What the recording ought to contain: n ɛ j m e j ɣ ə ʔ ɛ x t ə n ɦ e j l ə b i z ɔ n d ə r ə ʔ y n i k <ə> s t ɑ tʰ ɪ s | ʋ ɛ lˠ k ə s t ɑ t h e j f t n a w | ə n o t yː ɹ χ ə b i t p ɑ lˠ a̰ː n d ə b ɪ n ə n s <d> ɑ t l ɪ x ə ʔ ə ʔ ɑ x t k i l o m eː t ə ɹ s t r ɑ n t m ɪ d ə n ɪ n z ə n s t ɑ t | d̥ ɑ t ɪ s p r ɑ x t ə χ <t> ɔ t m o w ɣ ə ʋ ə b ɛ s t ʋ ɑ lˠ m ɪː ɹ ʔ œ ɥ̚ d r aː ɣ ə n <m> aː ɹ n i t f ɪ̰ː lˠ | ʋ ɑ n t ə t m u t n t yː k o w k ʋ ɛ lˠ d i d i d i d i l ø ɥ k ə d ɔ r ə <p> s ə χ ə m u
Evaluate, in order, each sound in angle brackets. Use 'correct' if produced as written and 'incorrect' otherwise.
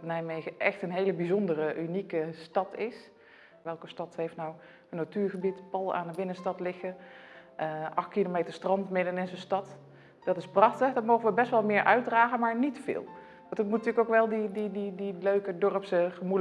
correct, incorrect, incorrect, correct, correct

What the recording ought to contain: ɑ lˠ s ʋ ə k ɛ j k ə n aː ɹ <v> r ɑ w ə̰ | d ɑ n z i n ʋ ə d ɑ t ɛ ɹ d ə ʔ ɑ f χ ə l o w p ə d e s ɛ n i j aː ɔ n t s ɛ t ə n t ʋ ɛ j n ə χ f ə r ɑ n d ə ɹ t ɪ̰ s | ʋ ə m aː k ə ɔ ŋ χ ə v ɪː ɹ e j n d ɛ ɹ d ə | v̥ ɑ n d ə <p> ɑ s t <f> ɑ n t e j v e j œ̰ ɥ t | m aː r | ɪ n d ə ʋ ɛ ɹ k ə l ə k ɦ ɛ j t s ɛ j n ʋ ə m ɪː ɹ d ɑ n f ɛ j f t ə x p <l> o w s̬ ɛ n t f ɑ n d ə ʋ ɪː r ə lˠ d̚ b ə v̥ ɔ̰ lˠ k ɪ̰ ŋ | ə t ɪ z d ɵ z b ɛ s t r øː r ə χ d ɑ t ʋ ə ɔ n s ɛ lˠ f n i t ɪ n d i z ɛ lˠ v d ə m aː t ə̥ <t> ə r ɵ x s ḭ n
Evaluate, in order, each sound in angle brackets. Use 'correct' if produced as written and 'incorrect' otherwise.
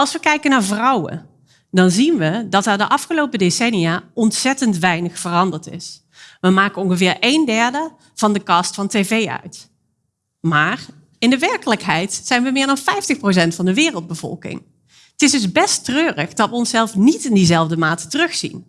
correct, incorrect, correct, incorrect, correct

